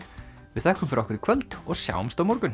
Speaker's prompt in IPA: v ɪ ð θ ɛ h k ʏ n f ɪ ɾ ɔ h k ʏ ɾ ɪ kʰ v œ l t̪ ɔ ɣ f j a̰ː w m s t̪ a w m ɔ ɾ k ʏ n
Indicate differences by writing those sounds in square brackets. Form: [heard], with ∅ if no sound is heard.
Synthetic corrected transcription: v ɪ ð θ ɛ h k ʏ [m] f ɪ ɾ ɔ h k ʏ ɾ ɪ kʰ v œ l t̪ ɔ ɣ [s] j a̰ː w m s t̪ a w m ɔ ɾ k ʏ n